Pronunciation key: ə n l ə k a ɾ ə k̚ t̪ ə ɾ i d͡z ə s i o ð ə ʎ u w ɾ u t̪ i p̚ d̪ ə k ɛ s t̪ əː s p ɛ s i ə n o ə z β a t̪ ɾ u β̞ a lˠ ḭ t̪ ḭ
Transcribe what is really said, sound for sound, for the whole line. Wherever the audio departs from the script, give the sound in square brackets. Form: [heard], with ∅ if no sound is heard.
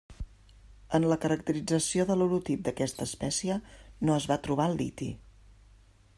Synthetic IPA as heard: ə n l ə k [ə] ɾ ə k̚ t̪ ə ɾ i d͡z ə s i o ð ə [l] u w ɾ u t̪ i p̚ d̪ ə k ɛ s t̪ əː s p ɛ s i ə n o ə z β a t̪ ɾ u β̞ a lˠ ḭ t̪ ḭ